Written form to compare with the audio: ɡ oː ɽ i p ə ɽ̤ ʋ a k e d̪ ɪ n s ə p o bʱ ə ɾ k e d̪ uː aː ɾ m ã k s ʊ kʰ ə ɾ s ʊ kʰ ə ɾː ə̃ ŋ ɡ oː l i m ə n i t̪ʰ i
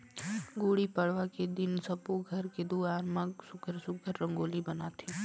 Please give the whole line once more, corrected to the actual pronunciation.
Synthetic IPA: ɡ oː ɽ i p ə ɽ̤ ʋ a k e d̪ ɪ n s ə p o ɡʱ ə ɾ k e d̪ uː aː ɾ m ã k s ʊ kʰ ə ɾ s ʊ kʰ ə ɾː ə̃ ŋ ɡ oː l i b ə n a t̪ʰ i